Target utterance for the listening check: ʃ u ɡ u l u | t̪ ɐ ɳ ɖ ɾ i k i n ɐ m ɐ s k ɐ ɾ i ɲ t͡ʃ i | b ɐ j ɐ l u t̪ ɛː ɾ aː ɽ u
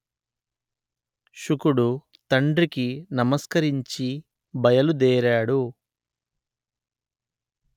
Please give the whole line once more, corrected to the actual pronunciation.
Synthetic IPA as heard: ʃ u k u ɽ u | t̪ ɐ ɳ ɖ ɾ i k i n ɐ m ɐ s k ɐ ɾ i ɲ t͡ʃ i | b ɐ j ɐ l u d̪ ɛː ɾ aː ɽ u